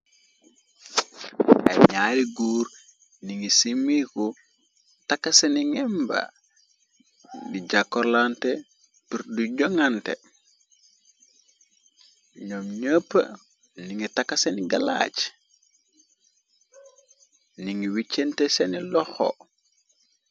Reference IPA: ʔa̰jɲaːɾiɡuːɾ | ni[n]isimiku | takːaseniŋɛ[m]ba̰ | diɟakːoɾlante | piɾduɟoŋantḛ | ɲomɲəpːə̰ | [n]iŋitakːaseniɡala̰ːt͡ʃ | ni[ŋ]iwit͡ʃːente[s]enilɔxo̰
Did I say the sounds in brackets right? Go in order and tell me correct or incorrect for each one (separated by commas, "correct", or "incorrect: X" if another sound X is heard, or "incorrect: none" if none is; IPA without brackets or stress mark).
incorrect: ŋ, correct, correct, correct, correct